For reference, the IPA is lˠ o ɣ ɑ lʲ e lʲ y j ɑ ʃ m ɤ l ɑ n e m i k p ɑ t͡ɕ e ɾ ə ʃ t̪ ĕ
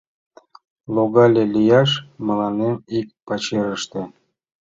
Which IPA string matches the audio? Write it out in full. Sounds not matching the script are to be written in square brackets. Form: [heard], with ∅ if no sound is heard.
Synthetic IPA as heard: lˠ o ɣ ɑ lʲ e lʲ [i] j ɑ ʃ m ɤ l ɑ n e m i k p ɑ t͡ɕ e ɾ ə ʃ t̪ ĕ